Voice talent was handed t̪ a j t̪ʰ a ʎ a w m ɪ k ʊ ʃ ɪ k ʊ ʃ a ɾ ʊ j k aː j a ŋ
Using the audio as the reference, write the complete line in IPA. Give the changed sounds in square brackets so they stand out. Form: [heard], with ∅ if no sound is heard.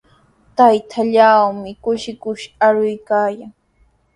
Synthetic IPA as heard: t̪ a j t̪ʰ a ʎ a w m ɪ k ʊ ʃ ɪ k ʊ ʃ a ɾ ʊ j k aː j a ŋ